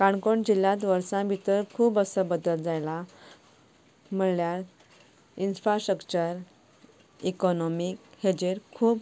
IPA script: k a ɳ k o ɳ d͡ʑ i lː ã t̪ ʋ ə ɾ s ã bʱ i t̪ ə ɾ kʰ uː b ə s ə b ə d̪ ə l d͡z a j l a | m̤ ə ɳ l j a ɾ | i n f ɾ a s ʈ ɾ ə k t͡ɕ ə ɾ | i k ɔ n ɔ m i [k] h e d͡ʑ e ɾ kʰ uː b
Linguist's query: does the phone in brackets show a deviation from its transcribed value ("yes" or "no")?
no